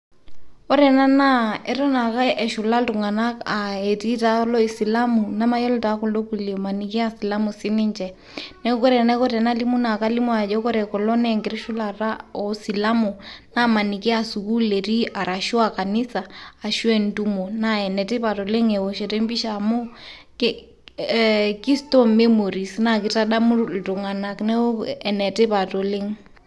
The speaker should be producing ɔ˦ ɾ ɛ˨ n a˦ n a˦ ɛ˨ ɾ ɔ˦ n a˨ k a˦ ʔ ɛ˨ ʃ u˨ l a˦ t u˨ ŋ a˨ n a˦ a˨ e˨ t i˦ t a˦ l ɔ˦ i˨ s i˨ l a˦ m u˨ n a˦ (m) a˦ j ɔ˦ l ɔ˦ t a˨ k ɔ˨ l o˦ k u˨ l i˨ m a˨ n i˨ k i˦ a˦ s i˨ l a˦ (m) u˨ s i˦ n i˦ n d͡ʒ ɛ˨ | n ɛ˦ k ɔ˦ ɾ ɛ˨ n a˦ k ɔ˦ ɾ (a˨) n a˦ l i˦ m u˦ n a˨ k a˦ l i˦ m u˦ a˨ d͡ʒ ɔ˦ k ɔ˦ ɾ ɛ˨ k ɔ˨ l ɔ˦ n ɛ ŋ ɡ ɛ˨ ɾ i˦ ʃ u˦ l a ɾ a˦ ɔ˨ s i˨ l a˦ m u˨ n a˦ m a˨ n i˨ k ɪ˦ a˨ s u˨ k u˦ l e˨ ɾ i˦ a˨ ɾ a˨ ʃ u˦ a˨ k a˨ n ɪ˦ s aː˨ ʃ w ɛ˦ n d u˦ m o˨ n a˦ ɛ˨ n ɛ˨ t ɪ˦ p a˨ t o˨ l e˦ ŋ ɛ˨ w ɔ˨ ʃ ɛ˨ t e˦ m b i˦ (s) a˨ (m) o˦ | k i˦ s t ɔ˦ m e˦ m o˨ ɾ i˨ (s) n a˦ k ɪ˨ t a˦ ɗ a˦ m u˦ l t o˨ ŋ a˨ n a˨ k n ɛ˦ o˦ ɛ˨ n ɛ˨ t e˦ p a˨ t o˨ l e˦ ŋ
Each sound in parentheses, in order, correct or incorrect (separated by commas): correct, correct, incorrect, incorrect, correct, correct